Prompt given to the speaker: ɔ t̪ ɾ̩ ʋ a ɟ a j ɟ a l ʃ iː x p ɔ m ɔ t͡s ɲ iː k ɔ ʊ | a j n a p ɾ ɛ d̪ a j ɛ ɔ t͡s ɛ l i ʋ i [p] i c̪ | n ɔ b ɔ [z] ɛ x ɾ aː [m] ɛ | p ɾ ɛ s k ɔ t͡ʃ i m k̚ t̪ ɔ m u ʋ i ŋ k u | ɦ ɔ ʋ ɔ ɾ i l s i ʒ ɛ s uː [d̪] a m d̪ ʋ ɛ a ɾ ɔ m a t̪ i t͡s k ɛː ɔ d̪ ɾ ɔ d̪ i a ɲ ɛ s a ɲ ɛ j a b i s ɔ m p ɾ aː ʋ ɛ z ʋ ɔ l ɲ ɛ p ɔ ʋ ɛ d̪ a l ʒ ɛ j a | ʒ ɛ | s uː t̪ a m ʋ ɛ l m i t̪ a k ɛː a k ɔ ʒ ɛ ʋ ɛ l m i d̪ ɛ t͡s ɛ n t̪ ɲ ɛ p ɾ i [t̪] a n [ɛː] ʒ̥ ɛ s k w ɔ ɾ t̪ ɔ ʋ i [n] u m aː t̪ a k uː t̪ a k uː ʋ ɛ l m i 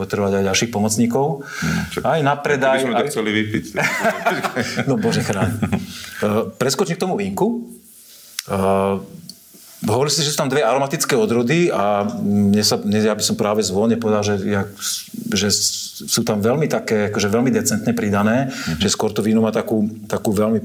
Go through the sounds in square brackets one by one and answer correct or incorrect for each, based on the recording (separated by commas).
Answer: correct, incorrect, incorrect, incorrect, incorrect, correct, correct